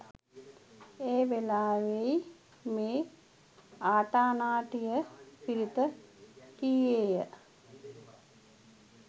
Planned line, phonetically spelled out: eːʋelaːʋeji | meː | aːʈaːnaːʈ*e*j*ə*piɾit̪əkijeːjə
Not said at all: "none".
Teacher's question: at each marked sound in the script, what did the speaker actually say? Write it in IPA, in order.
i, ə

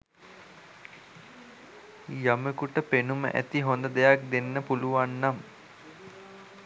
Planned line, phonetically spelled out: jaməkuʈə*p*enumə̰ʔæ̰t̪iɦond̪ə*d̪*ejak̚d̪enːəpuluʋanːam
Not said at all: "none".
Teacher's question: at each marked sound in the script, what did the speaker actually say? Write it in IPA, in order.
p, d̪

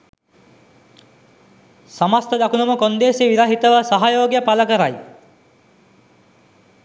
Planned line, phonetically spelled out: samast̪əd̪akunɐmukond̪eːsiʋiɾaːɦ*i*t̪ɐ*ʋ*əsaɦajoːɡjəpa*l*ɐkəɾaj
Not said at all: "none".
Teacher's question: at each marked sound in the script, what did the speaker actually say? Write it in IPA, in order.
i, ʋ, l

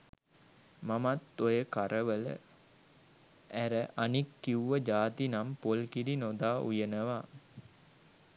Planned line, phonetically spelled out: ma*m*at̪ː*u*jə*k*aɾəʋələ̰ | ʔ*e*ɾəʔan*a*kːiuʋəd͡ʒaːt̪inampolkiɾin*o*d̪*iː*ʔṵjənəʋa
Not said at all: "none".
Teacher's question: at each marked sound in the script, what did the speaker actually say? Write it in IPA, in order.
m, o, k, æ, i, o, aː

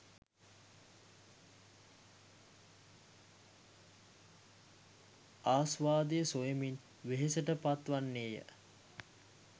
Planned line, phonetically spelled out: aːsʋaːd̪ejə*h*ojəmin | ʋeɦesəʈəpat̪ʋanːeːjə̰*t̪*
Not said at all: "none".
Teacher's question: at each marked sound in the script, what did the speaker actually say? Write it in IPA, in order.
s, none

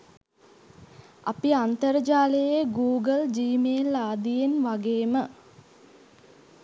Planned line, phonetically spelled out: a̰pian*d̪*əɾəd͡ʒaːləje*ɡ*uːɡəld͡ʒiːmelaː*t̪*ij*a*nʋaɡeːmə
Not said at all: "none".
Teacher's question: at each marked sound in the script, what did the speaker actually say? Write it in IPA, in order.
t̪, ɡ, d̪, e

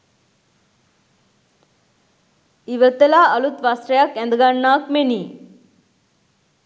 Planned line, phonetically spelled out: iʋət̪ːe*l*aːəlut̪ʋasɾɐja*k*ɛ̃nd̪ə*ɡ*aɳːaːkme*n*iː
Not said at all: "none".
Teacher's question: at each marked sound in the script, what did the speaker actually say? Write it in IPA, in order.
l, k, ɡ, n

